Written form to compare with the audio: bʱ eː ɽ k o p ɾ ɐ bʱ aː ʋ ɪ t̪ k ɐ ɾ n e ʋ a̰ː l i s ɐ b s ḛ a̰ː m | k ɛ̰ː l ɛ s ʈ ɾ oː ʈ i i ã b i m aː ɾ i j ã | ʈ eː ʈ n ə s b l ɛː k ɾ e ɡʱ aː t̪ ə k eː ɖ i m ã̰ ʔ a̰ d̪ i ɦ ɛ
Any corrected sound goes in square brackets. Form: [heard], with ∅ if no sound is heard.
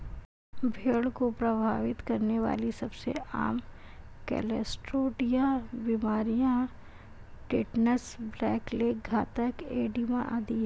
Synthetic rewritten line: bʱ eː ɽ k o p ɾ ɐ bʱ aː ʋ ɪ t̪ k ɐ ɾ n e ʋ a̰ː l i s ɐ b s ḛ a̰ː m | k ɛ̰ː l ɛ s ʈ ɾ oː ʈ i [j] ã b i m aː ɾ i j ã | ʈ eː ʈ n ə s b l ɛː k [l] e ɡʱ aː t̪ ə k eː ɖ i m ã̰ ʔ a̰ d̪ i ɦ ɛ